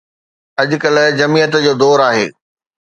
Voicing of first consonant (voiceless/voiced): voiced